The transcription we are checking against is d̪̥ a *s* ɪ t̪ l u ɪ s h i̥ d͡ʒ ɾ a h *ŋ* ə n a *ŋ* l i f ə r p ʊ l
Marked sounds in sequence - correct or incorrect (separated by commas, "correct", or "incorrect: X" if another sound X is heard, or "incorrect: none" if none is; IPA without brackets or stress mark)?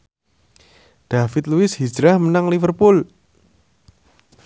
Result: incorrect: f, incorrect: m, correct